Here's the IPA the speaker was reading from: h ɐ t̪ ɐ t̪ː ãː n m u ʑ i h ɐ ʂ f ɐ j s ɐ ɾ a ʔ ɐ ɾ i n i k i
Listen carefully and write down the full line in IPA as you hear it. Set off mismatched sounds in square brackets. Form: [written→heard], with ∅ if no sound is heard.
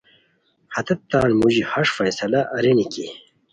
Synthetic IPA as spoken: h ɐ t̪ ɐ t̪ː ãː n m u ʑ i h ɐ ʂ f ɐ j s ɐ [ɾ→l] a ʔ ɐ ɾ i n i k i